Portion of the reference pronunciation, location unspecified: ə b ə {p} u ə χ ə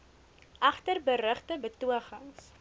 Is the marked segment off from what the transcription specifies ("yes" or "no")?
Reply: yes